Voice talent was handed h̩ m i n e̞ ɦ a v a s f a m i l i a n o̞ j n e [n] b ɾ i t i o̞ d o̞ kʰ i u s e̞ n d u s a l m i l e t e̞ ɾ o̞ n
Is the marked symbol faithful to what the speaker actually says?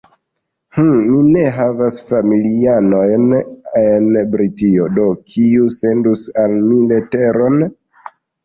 yes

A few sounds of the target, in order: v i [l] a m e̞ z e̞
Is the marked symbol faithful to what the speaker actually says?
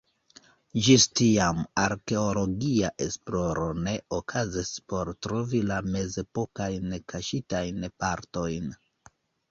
yes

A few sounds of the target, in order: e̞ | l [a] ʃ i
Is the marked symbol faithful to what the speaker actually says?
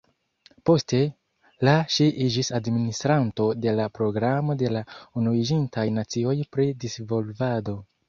yes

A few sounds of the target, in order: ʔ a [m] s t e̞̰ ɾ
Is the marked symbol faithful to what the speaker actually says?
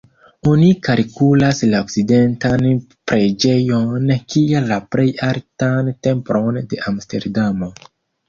yes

